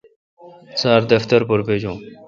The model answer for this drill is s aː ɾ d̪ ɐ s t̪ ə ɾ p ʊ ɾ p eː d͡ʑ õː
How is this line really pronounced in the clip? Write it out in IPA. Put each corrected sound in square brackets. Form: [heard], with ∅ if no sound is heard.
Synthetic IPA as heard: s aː ɾ d̪ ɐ [f] t̪ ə ɾ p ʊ ɾ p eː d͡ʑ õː